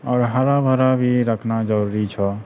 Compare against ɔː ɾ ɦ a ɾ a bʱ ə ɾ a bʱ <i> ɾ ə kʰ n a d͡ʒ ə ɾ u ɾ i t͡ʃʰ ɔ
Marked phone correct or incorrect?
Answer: correct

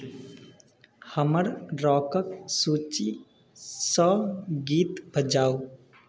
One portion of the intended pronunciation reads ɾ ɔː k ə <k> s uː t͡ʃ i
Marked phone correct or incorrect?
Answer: correct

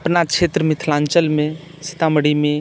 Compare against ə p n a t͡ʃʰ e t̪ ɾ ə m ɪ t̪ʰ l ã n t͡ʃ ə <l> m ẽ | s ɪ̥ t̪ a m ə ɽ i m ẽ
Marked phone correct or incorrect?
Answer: correct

